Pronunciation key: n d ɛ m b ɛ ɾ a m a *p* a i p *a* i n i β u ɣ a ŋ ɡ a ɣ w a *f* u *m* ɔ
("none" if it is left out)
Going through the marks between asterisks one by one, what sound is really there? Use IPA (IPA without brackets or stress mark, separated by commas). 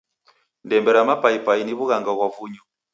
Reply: p, a, v, ɲ